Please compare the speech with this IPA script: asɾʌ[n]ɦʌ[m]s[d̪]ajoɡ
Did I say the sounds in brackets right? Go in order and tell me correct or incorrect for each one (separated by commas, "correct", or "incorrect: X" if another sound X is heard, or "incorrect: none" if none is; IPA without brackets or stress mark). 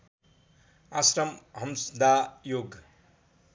incorrect: m, correct, correct